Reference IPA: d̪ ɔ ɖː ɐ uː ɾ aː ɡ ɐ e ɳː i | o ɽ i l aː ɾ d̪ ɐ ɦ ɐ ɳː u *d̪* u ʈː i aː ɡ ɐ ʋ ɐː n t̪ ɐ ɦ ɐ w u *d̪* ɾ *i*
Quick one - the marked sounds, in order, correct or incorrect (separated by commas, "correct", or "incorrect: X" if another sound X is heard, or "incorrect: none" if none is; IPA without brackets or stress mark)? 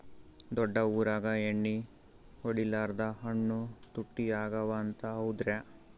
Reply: incorrect: t̪, correct, incorrect: e